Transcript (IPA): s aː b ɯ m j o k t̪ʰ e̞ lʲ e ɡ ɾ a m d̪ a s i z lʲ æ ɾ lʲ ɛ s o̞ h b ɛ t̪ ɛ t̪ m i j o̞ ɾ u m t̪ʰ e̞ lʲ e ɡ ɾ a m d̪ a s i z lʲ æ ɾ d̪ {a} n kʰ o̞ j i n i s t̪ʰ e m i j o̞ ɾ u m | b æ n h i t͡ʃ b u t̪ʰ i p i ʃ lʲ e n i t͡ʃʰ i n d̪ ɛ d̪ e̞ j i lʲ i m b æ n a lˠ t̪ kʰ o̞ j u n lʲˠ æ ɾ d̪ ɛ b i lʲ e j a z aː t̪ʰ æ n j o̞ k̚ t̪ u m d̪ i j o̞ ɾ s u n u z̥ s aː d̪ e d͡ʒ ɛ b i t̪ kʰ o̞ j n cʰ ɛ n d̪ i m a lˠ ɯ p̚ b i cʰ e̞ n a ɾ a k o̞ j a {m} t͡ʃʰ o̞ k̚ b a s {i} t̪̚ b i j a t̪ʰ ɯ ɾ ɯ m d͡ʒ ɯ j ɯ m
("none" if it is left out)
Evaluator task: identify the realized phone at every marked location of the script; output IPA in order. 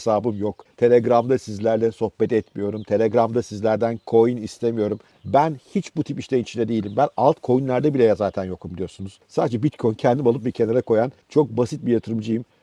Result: æ, n, i

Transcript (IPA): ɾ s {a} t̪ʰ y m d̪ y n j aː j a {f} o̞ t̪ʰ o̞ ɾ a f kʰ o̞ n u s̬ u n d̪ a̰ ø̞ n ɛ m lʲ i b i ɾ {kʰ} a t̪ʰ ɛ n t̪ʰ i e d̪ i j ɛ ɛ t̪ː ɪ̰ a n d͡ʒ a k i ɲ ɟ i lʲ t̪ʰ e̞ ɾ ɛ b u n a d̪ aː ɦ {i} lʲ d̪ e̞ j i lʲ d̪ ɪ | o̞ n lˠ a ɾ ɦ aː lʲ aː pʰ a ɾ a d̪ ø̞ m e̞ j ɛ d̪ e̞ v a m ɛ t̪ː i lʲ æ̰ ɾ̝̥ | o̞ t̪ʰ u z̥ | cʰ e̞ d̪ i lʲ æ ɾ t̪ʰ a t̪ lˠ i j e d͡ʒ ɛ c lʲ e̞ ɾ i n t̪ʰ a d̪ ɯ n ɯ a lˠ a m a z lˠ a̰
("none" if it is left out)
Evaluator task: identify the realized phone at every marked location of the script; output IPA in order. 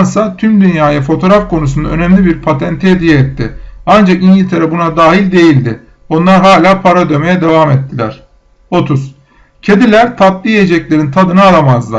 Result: a, f, pʰ, i

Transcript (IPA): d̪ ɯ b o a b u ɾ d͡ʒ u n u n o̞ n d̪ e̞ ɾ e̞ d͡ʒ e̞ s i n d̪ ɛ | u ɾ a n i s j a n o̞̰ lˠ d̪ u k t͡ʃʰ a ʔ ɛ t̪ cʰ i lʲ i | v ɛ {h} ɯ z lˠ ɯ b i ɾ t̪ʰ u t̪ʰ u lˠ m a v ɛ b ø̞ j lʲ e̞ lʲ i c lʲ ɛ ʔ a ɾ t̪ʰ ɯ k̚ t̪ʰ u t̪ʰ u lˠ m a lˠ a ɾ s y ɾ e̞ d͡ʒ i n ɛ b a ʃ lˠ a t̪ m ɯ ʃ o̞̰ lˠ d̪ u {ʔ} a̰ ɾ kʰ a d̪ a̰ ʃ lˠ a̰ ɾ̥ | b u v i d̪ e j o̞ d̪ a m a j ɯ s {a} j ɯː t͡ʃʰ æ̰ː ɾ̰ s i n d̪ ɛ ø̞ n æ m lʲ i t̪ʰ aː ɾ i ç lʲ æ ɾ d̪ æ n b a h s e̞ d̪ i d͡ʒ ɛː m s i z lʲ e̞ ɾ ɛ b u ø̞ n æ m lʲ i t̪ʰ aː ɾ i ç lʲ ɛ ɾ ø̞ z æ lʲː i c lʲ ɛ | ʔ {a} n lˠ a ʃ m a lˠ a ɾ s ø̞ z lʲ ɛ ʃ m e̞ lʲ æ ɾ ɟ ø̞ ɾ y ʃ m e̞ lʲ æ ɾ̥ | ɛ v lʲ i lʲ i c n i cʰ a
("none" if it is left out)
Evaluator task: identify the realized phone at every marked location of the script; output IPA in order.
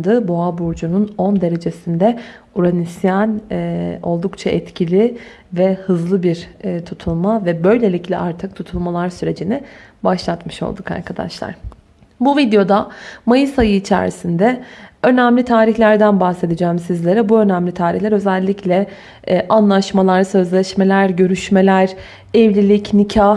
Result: h, k, a, a

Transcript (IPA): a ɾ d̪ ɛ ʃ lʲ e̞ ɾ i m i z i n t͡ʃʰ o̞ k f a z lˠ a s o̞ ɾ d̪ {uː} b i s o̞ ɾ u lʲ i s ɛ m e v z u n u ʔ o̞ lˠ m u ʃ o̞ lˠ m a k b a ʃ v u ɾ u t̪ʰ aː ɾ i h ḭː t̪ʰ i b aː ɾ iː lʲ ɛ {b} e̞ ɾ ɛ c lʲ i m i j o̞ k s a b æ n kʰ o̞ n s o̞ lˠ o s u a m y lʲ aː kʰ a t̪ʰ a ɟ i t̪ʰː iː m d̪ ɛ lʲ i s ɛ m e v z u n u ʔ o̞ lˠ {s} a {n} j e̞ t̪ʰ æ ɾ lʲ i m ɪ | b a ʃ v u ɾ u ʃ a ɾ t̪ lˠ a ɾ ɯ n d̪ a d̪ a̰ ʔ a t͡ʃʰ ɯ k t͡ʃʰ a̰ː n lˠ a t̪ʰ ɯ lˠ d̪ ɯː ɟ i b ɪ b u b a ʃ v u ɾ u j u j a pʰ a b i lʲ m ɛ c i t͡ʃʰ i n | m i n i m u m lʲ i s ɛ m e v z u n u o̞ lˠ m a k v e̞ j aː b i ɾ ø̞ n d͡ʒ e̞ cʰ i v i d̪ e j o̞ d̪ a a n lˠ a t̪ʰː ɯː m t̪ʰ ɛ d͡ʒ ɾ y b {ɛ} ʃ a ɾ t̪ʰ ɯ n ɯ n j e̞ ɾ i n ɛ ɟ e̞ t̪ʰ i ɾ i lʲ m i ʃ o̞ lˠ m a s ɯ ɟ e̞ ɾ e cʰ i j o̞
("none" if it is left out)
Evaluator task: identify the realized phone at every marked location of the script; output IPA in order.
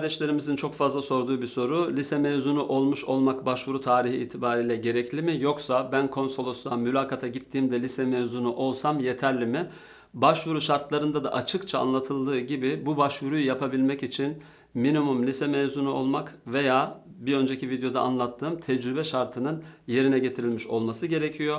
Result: uː, ɟ, s, m, ɛ

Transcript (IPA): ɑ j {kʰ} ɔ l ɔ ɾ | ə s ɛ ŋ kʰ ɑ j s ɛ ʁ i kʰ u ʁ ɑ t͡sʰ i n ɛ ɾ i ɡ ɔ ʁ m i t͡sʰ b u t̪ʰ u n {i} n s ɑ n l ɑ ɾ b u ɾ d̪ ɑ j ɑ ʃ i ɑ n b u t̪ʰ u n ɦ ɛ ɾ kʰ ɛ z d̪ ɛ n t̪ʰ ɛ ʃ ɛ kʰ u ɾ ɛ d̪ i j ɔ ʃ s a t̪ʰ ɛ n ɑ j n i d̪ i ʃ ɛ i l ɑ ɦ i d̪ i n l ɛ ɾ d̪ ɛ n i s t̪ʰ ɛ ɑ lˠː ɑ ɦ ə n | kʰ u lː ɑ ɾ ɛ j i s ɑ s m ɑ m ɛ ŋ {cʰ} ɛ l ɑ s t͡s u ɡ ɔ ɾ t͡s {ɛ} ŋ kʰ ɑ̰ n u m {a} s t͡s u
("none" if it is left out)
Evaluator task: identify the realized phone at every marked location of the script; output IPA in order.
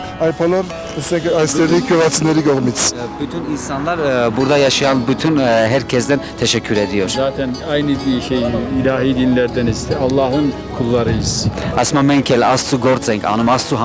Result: pʰ, i, kʰ, ɛ, ɑ

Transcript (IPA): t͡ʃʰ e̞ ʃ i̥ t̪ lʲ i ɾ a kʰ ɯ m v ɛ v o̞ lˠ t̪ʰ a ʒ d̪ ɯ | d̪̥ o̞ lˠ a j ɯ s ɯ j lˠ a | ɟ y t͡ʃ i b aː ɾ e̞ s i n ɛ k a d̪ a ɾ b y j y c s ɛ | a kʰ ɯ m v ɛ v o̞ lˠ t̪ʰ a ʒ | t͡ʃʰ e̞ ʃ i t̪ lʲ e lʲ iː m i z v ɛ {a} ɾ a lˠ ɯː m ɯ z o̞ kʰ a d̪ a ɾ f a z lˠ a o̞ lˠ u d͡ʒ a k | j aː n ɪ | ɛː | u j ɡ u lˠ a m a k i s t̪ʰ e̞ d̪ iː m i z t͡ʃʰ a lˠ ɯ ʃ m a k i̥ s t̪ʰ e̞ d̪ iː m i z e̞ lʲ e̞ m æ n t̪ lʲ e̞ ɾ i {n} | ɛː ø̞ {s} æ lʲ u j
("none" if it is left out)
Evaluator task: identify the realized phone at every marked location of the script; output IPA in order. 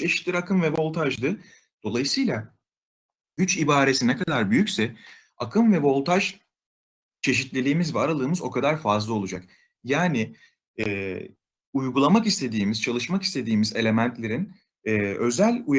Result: a, n, z

